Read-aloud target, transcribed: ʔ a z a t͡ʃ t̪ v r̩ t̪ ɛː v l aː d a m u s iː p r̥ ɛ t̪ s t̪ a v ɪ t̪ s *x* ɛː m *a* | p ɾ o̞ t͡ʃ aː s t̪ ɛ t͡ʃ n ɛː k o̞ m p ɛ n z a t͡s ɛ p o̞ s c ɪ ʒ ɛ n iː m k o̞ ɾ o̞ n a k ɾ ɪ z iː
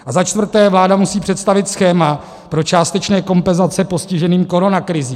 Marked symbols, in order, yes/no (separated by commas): yes, yes